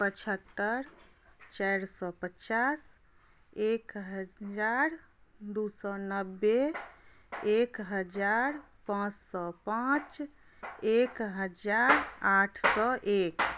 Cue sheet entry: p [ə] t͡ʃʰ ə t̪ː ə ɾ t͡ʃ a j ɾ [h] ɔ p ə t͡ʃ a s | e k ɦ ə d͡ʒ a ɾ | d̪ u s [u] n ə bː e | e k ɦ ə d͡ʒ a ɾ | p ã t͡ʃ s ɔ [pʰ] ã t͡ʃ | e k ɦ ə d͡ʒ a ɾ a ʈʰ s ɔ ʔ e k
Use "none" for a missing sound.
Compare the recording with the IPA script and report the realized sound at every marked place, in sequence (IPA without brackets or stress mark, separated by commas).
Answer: ə, s, ɔ, p